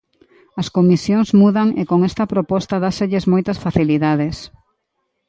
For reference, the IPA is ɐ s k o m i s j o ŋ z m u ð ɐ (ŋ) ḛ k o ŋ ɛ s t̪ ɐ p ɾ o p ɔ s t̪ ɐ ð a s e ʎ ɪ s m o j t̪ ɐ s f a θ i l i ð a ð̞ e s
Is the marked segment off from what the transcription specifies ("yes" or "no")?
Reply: no